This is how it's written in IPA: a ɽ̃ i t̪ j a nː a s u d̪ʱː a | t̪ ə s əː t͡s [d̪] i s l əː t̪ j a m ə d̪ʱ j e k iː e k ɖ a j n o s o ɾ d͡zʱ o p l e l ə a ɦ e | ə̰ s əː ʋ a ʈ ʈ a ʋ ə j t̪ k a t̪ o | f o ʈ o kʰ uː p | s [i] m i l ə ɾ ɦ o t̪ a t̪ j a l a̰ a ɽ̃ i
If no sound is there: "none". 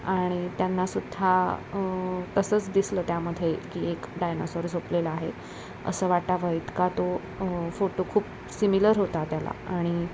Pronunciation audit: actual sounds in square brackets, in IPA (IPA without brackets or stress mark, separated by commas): d̪, i